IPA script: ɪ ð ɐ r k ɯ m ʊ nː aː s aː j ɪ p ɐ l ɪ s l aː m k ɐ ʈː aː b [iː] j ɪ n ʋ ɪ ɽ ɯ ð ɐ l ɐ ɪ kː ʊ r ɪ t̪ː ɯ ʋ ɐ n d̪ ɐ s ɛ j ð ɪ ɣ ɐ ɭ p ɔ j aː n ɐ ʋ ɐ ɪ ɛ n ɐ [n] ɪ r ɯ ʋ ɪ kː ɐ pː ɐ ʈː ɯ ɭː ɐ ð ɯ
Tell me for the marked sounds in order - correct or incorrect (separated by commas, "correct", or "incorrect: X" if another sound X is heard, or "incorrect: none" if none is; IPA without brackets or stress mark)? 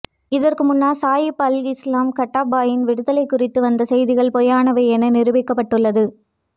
incorrect: aː, correct